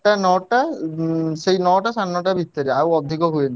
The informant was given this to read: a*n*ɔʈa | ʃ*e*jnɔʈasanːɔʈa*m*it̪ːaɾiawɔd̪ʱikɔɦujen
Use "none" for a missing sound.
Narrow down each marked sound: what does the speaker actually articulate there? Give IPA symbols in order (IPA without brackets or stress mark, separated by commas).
n, e, b